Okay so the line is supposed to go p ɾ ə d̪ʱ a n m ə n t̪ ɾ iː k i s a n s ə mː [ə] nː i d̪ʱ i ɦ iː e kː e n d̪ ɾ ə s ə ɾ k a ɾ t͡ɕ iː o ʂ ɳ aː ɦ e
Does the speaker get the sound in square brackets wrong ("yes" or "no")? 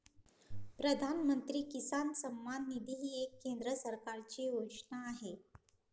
yes